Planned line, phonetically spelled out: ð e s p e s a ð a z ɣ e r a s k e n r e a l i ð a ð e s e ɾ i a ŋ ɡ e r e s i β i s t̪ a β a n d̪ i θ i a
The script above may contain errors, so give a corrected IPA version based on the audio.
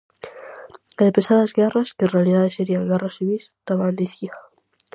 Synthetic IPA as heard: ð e p e s a ð a z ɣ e r a s k e n r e a l i ð a ð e s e ɾ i a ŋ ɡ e r a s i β i s t̪ a β a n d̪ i θ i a